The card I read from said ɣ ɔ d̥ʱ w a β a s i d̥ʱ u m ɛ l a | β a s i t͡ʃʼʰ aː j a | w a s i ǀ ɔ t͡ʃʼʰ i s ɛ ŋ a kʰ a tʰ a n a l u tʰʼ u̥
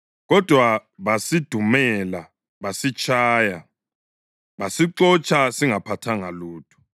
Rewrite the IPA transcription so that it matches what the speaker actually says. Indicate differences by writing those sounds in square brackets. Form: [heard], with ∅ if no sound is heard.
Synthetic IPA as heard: ɣ ɔ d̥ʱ w a β a s i d̥ʱ u m ɛ l a | β a s i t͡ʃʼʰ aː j a | [β] a s i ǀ ɔ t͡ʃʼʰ [a] s [i] ŋ a [pʰ] a tʰ a [ŋ] a l [uː] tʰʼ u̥